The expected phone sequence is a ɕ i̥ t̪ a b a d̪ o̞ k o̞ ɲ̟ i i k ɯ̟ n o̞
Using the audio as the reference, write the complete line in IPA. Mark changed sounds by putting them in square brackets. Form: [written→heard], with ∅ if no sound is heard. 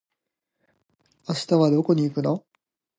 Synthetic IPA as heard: a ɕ i̥ t̪ a [b→β] a d̪ o̞ k o̞ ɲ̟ i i k ɯ̟ n o̞